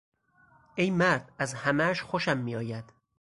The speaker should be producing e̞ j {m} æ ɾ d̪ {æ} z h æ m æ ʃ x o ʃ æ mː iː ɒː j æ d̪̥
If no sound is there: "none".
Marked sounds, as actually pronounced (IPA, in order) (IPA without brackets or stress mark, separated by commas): m, æ